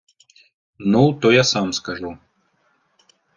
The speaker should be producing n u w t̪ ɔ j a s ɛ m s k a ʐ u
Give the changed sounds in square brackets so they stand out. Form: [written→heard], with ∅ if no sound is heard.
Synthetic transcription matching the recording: n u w t̪ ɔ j a s [ɛ→a] m s k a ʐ u